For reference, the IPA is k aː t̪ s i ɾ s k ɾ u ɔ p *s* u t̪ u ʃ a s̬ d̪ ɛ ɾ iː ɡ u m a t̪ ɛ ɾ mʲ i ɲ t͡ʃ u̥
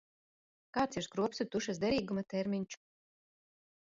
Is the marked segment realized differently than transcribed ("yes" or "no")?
no